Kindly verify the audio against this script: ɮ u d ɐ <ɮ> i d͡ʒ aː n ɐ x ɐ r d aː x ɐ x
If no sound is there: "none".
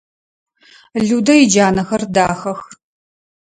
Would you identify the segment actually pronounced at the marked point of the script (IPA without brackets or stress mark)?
none